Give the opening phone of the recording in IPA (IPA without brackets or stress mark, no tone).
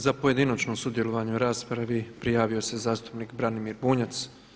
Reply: z